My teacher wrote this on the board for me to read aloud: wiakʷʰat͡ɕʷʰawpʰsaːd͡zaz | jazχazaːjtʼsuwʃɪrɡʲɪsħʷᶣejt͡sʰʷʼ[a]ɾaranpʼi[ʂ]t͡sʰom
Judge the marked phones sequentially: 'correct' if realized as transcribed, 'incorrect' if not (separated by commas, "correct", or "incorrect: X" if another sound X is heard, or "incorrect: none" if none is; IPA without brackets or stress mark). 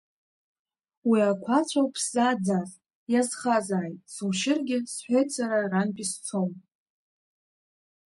correct, incorrect: s